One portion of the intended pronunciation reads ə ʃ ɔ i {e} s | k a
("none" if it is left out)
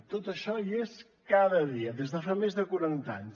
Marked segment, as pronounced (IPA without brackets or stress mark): e